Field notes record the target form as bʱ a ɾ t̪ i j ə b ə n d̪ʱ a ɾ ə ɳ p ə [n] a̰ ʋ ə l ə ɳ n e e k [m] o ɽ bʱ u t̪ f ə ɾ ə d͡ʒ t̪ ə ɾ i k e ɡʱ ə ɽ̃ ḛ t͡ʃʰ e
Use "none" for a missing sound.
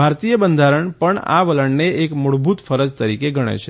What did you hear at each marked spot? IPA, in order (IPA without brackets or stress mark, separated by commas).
ɳ, m